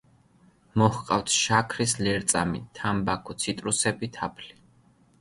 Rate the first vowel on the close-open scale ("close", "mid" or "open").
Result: mid